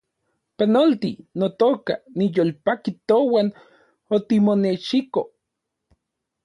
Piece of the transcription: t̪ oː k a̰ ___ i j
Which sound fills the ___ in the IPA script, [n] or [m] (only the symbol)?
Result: n